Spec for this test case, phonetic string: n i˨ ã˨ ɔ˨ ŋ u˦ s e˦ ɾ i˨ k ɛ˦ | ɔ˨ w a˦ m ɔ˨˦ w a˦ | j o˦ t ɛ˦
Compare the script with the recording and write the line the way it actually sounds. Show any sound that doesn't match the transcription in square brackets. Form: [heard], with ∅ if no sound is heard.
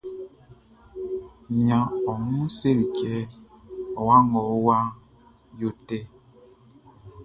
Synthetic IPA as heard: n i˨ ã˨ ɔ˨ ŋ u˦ s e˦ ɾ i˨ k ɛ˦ | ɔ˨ w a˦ [ŋ] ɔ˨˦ w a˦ | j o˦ t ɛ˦